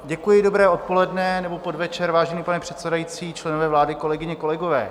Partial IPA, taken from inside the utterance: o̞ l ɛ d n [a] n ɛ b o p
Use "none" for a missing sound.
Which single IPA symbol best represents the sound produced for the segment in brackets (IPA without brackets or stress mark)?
ɛ